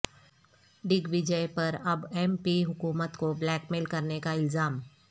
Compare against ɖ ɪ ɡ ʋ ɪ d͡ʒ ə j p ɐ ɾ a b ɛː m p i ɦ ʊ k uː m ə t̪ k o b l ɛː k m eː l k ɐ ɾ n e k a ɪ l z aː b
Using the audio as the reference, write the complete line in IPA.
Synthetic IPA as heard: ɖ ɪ ɡ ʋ ɪ d͡ʒ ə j p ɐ ɾ ɐ b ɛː m p i ɦ ʊ k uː m ə t̪ k o b l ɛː k m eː l k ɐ ɾ n e k a ɪ l z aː m

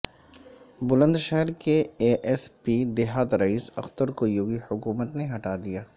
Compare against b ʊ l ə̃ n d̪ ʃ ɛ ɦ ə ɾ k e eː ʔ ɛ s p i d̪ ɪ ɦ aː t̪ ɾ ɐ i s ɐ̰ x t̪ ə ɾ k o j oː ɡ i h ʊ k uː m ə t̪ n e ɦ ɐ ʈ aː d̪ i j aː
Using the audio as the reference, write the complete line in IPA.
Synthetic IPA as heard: b ʊ l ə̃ n d̪ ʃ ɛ ɦ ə ɾ k e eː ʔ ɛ s p i d̪ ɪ ɦ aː t̪ ɾ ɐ iː s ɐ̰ x t̪ ə ɾ k o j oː ɡ i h ʊ k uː m ə t̪ n e ɦ ɐ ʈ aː d̪ i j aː

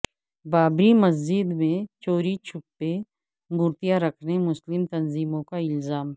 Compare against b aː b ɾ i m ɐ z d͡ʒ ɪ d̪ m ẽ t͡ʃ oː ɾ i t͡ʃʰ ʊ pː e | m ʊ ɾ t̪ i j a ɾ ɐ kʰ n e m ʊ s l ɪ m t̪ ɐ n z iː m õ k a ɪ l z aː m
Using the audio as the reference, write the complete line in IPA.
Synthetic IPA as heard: b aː b ɾ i m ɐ z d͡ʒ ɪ d̪ m ẽ t͡ʃ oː ɾ i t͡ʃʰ ʊ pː e | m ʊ ɾ t̪ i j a ɾ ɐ kʰ n e m ʊ s l ɪ m t̪ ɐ n z iː m õ k a ɪ l z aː m

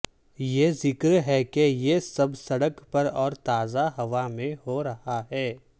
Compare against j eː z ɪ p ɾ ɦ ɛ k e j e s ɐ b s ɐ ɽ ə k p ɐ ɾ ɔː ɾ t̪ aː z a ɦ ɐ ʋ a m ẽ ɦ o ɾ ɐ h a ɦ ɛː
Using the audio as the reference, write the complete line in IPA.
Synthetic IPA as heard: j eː z ɪ k ɾ ɦ ɛ k e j e s ɐ b s ɐ ɽ ə k p ɐ ɾ ɔː ɾ t̪ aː z a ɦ ɐ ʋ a m ẽ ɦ o ɾ ɐ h a ɦ ɛː

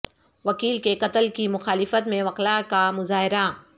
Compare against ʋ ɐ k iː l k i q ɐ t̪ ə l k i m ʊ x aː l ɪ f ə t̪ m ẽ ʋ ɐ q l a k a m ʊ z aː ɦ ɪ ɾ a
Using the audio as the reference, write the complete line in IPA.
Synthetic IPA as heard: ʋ ɐ k iː l k e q ɐ t̪ ə l k i m ʊ x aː l ɪ f ə t̪ m ẽ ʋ ɐ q l a k a m ʊ z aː ɦ ɪ ɾ a

